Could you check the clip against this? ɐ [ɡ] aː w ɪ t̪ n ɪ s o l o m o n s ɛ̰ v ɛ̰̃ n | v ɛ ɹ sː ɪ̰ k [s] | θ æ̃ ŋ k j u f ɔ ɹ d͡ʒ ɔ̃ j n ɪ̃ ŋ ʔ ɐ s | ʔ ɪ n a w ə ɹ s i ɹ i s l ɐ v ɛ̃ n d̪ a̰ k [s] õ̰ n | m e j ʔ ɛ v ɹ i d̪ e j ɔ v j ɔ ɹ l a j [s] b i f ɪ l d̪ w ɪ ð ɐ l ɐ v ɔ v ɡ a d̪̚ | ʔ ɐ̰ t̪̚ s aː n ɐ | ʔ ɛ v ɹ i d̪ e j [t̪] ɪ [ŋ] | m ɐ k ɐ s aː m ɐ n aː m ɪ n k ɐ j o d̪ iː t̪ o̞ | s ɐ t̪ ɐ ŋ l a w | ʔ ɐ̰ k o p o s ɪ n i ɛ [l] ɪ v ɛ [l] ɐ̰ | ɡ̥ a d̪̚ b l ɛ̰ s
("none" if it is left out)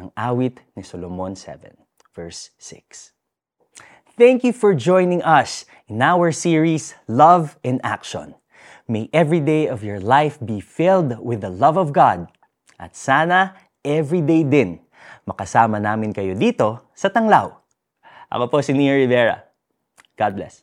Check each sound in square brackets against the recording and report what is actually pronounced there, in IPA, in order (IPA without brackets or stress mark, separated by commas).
ŋ, s, ʃ, f, d̪, n, ɹ, ɹ